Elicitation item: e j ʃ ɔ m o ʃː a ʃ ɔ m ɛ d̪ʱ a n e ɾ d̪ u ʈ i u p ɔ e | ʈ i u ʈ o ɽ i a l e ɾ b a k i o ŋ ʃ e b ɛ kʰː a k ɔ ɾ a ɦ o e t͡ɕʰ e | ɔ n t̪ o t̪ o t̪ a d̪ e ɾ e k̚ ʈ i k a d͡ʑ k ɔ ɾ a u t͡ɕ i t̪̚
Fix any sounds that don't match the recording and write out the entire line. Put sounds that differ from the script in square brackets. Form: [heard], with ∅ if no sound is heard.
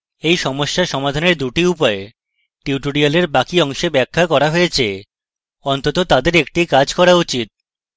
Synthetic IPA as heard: e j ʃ ɔ m o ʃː a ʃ ɔ m [a] d̪ʱ a n e ɾ d̪ u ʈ i u p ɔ e | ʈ i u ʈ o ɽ i a l e ɾ b a k i [ɔ] ŋ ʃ e b ɛ kʰː a k ɔ ɾ a ɦ o e t͡ɕʰ e | ɔ n t̪ o t̪ o t̪ a d̪ e ɾ e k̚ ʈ i k a d͡ʑ k ɔ ɾ a u t͡ɕ i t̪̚